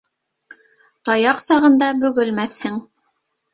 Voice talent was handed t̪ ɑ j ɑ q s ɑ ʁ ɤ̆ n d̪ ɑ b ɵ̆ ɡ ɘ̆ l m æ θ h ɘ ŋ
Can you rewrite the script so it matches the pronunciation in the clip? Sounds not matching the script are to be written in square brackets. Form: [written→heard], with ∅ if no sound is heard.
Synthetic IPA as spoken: t̪ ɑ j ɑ q s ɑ ʁ ɤ̆ n d̪ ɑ b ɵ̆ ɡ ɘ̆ l m æ θ h ɘ ŋ